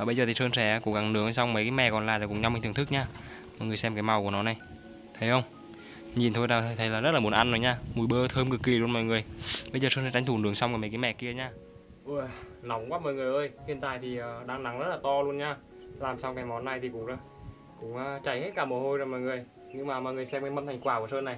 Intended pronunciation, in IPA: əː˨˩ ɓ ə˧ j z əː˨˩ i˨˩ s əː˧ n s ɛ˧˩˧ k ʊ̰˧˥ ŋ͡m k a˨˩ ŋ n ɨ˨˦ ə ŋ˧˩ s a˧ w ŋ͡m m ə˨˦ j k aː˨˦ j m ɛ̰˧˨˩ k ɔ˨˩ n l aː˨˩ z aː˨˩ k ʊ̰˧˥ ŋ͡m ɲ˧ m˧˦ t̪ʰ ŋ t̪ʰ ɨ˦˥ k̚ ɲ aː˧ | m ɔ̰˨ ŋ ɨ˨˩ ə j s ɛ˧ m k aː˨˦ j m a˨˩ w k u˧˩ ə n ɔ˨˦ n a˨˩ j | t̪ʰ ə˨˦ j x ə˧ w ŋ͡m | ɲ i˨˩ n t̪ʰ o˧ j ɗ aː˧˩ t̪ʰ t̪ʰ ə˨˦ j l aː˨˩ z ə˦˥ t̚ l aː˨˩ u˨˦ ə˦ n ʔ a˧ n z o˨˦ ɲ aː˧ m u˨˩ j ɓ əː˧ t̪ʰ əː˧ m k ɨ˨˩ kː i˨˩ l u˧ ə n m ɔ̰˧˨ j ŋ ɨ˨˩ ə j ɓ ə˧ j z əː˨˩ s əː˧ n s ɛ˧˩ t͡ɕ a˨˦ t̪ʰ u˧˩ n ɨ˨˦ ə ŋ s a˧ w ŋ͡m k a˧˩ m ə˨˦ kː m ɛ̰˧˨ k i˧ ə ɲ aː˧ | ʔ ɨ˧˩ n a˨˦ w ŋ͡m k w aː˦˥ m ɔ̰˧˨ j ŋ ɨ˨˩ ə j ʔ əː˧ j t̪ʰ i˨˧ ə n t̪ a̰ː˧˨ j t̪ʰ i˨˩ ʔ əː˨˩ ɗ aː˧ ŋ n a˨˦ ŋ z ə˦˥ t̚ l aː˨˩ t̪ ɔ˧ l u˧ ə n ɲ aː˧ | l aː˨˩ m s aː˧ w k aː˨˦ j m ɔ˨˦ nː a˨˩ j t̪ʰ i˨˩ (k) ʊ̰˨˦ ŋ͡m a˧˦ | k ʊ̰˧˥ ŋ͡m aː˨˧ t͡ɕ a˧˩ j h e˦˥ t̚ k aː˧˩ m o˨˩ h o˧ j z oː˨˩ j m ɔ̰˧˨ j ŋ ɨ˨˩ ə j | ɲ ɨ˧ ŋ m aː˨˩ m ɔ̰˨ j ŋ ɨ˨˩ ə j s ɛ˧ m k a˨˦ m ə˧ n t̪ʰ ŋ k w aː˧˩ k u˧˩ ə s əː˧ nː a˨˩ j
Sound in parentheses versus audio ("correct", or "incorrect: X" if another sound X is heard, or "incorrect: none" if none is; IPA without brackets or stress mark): correct